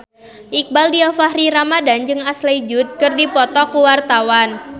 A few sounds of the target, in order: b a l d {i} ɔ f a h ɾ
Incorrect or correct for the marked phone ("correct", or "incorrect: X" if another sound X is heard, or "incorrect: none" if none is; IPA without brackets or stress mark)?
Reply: correct